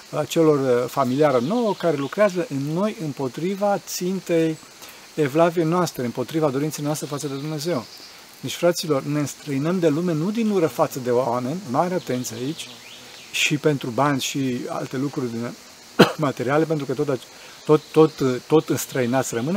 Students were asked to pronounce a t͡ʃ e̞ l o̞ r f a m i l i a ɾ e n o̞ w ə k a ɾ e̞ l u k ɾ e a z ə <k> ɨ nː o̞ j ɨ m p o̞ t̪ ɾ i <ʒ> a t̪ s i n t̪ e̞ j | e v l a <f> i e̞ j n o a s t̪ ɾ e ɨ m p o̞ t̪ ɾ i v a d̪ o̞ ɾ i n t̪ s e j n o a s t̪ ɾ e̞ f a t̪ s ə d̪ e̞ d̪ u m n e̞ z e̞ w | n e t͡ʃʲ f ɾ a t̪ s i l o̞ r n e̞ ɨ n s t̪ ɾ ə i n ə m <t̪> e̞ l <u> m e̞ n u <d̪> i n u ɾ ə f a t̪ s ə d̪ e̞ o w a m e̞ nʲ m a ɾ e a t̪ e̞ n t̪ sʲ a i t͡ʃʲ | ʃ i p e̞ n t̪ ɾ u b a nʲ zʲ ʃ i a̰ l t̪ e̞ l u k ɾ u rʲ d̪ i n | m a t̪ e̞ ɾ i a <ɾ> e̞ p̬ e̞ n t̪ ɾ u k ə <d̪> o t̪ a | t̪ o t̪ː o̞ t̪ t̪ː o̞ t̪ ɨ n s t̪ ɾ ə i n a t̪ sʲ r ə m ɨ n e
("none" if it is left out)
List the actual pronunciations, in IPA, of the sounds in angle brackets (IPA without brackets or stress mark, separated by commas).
ʔ, v, v, d̪, u, d̪, l, t̪